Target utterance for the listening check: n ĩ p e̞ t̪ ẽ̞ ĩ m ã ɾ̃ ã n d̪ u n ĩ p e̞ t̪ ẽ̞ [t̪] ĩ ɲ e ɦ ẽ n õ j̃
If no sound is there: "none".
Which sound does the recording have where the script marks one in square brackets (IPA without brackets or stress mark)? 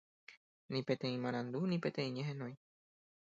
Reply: none